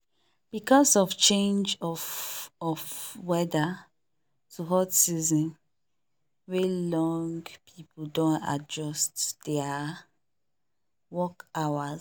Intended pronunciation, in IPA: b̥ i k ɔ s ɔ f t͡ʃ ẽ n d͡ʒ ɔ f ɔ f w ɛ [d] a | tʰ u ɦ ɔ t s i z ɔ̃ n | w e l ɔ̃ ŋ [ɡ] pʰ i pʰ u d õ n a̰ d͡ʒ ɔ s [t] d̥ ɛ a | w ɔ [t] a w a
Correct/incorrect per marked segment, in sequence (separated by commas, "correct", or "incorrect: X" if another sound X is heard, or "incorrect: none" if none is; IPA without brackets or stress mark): correct, correct, correct, incorrect: k